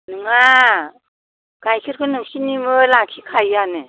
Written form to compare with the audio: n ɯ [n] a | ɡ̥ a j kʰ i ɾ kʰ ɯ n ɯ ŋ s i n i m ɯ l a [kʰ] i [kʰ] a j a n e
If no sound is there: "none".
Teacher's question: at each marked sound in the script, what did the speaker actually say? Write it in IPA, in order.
ŋ, kʰ, kʰ

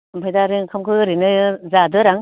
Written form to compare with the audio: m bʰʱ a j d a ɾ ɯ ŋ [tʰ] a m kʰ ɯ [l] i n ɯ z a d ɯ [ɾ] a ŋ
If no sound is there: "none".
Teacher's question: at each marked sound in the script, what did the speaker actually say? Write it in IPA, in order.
kʰ, ɾ, ɾ

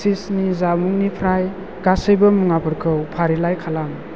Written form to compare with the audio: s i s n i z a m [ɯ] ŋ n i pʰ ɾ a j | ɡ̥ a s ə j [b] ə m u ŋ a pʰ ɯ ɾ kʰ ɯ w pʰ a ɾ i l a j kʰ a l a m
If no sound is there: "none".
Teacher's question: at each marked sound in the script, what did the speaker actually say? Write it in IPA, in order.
u, b

